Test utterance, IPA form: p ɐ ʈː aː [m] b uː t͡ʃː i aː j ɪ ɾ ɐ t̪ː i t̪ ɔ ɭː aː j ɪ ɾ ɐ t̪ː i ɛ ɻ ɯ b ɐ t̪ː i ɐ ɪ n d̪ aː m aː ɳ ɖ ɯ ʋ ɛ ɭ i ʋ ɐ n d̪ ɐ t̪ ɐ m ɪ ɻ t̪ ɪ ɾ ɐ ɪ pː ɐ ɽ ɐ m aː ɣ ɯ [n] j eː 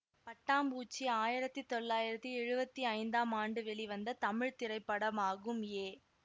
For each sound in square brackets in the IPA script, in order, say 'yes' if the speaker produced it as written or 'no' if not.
yes, no

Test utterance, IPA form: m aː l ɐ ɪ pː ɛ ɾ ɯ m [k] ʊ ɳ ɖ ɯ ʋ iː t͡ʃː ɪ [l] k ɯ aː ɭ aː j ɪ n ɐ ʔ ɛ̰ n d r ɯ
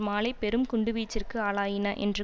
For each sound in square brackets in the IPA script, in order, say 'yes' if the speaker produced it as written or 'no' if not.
yes, no

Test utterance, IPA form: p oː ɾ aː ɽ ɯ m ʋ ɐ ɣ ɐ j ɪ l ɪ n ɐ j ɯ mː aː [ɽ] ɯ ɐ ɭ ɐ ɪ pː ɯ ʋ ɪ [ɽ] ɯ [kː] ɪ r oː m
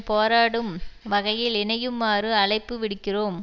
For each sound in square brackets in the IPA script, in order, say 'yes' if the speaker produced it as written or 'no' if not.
no, yes, yes

